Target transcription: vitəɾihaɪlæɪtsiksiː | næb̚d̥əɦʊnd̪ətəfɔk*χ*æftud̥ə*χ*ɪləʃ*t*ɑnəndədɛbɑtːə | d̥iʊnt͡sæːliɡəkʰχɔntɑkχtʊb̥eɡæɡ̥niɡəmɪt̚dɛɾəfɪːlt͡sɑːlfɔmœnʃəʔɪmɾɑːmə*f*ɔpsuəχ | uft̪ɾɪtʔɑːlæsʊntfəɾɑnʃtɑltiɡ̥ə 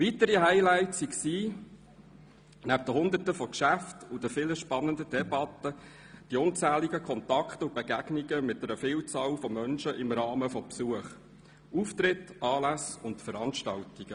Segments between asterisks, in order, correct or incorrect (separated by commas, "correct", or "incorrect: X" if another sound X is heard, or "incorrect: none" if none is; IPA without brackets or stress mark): incorrect: ʃ, incorrect: f, incorrect: p, correct